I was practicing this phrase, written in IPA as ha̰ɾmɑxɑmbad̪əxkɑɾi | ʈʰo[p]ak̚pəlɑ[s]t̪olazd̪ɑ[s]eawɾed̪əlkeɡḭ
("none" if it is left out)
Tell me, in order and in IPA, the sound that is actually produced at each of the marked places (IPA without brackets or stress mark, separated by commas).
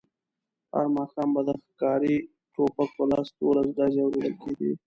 p, s, z